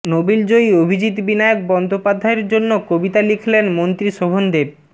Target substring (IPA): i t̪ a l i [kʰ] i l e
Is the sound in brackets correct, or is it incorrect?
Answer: correct